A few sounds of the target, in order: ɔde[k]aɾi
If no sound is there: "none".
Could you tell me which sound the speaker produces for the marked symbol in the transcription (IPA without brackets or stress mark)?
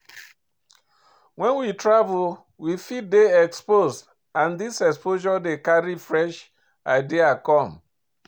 k